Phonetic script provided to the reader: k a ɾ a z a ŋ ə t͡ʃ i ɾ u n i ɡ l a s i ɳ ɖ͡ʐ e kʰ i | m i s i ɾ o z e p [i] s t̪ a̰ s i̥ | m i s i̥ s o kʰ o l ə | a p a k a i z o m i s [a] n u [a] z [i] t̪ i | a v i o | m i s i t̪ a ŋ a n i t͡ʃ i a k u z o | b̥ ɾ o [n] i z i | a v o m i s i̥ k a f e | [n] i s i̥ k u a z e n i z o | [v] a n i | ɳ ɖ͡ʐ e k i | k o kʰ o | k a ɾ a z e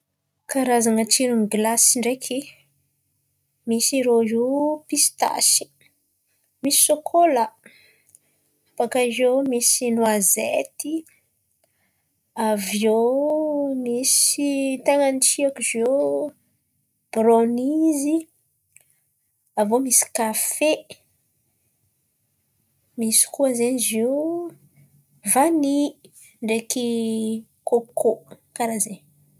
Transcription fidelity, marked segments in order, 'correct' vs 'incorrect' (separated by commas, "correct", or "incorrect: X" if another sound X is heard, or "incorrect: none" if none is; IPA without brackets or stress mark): correct, incorrect: i, correct, incorrect: e, correct, incorrect: m, correct